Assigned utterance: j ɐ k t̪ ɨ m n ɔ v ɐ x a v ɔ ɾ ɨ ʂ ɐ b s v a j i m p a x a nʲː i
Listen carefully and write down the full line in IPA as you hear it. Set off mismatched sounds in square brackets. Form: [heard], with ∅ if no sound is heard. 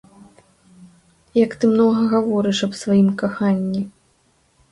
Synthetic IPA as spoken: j ɐ k t̪ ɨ m n ɔ [ɣ] ɐ [ɣ] a v ɔ ɾ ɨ ʂ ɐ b s v a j i m [k] a x a nʲː i

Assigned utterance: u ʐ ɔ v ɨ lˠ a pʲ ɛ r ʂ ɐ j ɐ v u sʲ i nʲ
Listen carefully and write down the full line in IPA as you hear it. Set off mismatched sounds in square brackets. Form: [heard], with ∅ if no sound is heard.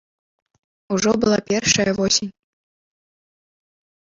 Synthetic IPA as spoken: u ʐ ɔ [b] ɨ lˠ a pʲ ɛ r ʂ ɐ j ɐ v [ɔ] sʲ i nʲ

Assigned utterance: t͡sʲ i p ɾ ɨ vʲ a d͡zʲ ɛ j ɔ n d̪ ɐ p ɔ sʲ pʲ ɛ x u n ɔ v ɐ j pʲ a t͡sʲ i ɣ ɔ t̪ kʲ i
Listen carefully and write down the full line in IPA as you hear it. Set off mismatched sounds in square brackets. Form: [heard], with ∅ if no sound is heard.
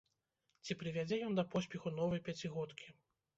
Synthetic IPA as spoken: t͡sʲ i p ɾ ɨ vʲ a d͡zʲ ɛ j ɔ n d̪ ɐ p ɔ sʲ pʲ ɛ x u n ɔ v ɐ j pʲ a t͡sʲ i ɣ ɔ t̪ kʲ i

